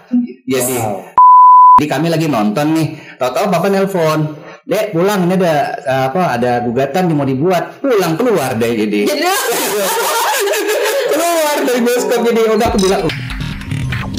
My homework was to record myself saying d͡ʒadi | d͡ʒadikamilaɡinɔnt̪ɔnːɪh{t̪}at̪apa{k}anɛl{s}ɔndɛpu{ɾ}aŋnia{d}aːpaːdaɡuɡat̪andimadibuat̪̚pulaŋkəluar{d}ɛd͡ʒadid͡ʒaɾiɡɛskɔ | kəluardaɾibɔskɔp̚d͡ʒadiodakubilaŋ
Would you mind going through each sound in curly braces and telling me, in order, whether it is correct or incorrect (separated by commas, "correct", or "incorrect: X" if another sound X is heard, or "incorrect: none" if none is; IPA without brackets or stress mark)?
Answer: correct, incorrect: p, incorrect: f, incorrect: l, correct, correct